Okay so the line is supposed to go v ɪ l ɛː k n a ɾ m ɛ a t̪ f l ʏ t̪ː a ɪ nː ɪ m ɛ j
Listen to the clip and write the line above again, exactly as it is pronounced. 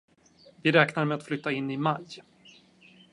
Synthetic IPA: v ɪ ɾ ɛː k n a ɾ m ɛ a t̪ f l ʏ t̪ː a ɪ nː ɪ m a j